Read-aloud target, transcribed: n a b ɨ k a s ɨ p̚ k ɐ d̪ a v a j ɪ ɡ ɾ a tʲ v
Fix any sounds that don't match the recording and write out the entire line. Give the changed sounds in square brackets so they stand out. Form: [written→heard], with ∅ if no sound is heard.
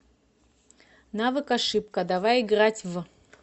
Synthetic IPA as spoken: n a [b→v] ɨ k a [s→ʂ] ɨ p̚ k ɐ d̪ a v a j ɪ ɡ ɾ a tʲ v